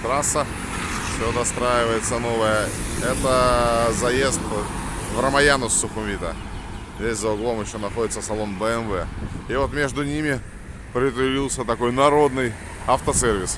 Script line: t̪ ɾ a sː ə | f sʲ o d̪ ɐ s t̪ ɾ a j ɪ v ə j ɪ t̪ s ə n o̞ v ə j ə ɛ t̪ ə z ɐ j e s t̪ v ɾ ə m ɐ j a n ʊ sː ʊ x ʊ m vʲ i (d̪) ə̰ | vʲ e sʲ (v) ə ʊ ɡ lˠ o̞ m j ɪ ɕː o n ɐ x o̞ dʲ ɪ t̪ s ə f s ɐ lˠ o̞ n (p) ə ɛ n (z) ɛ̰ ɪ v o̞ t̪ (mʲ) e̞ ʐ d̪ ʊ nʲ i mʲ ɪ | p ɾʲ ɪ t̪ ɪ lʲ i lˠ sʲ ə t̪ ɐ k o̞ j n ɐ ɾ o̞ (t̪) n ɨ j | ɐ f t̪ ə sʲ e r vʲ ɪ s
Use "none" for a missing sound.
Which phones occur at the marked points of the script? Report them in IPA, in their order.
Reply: t̪, z, b, v, mʲ, d̪

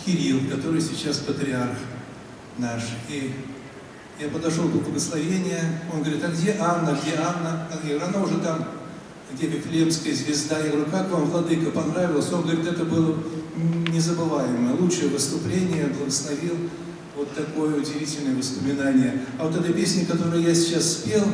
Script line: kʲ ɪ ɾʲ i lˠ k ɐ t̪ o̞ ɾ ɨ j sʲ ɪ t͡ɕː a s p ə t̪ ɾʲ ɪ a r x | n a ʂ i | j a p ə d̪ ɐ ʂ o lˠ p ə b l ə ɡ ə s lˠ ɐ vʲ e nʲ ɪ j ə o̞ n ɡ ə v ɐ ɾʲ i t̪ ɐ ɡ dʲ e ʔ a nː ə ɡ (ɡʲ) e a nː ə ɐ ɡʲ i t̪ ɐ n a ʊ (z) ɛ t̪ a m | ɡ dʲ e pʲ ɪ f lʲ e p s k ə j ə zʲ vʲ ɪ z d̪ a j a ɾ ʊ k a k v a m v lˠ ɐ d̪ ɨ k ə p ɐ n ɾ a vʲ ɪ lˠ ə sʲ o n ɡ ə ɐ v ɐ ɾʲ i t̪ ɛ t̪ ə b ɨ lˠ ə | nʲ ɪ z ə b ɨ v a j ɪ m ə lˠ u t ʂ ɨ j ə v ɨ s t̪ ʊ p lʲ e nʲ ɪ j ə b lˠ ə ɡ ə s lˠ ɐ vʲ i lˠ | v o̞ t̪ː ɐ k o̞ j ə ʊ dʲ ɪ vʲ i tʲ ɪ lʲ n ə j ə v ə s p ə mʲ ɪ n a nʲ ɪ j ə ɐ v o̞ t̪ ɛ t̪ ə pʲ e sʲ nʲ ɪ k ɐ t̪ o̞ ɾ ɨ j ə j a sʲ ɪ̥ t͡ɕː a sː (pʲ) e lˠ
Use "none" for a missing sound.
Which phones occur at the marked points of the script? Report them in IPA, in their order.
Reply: dʲ, ʐ, pʲ

